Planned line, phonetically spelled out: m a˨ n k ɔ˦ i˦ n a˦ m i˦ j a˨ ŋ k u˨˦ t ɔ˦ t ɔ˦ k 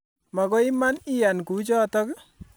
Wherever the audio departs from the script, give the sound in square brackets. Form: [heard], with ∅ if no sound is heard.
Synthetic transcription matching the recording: m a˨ [∅] k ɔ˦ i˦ [m] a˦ [n] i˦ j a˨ [n] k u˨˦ [t͡ʃ] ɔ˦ t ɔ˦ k